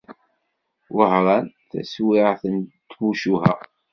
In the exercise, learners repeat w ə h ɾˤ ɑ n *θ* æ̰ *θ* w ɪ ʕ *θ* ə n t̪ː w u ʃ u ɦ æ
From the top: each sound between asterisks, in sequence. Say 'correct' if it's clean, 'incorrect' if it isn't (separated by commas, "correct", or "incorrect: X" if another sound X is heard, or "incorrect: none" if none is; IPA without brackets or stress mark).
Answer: correct, incorrect: s, correct